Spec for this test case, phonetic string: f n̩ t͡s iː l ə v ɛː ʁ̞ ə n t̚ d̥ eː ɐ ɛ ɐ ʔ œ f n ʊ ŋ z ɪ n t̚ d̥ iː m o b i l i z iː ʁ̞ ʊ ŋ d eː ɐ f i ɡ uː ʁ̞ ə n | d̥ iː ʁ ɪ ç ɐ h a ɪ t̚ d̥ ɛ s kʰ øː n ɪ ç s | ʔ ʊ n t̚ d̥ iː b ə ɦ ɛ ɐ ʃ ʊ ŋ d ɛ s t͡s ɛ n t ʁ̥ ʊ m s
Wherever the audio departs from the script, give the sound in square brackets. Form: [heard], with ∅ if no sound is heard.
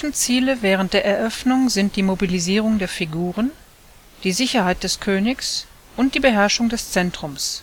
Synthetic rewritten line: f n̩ t͡s iː l ə v ɛː ʁ̞ ə n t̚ d̥ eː ɐ ɛ ɐ ʔ œ f n ʊ ŋ z ɪ n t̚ d̥ iː m o b i l i z iː ʁ̞ ʊ ŋ d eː ɐ f i ɡ uː ʁ̞ ə n | d̥ iː [z] ɪ ç ɐ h a ɪ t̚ d̥ ɛ s kʰ øː n ɪ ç s | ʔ ʊ n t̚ d̥ iː b ə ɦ ɛ ɐ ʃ ʊ ŋ d ɛ s t͡s ɛ n t ʁ̥ ʊ m s